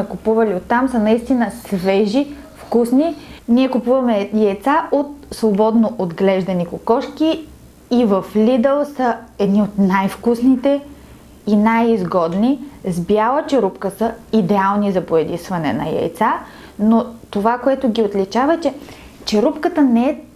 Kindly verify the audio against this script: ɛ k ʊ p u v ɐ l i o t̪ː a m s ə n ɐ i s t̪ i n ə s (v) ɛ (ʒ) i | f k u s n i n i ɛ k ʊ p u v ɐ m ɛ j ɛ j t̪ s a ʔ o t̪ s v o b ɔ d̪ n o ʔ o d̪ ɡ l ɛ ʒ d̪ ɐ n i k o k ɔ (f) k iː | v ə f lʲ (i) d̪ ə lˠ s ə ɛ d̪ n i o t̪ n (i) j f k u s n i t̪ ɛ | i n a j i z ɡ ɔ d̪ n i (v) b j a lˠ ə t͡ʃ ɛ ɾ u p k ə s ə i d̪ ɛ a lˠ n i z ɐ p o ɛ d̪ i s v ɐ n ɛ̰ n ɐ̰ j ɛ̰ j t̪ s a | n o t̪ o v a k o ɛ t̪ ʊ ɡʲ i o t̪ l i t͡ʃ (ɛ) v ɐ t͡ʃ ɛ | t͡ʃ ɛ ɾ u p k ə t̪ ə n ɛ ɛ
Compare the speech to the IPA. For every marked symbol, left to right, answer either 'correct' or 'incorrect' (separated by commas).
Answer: correct, correct, incorrect, correct, incorrect, incorrect, incorrect